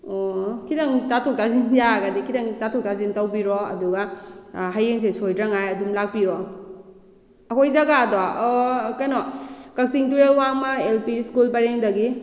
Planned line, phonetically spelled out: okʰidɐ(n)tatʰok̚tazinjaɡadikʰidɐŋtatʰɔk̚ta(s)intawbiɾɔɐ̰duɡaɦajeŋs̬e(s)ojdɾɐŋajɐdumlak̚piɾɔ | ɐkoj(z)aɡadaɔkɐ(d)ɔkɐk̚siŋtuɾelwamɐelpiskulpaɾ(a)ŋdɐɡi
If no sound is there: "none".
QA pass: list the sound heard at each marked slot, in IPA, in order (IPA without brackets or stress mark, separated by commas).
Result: ŋ, z, s, z, n, e